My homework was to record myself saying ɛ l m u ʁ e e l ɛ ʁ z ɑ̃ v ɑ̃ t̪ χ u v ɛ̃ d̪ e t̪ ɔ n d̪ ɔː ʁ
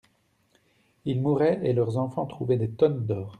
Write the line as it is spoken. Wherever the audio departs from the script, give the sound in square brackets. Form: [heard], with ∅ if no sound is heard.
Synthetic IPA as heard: [i] l m u ʁ [ɛ] e l [œ] ʁ z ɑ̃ [f] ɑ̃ t̪ χ u v [ɛ] d̪ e t̪ ɔ n d̪ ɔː ʁ